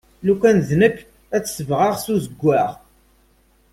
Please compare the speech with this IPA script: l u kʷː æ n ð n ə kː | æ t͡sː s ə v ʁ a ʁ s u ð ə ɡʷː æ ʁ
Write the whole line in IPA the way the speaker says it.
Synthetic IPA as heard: l u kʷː æ n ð n ə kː | æ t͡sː s ə v ʁ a ʁ s u z ə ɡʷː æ ʁ